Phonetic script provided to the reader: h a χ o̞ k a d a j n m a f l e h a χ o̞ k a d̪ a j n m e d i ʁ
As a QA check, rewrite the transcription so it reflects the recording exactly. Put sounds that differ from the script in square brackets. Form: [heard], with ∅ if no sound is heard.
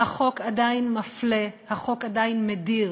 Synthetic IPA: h a χ o̞ k a d a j n m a f l e h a χ o̞ k a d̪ a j n m e d i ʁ